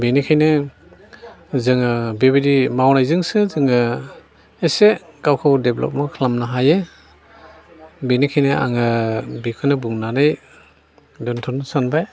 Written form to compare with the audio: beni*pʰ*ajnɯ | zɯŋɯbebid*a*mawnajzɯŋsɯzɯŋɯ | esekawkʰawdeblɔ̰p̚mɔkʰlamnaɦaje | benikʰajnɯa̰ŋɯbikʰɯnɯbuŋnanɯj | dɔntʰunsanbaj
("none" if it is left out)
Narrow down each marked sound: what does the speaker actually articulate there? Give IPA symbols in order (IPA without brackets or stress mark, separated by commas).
kʰ, i